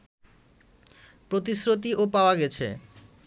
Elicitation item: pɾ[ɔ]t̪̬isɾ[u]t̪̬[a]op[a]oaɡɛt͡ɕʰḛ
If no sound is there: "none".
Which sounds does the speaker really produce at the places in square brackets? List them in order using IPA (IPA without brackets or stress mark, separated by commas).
o, o, i, a